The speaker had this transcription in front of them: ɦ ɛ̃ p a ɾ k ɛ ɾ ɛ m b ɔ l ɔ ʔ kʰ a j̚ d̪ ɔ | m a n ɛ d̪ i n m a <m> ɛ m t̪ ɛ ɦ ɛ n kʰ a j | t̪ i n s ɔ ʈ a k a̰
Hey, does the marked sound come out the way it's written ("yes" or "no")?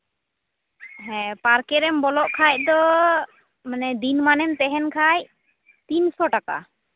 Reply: no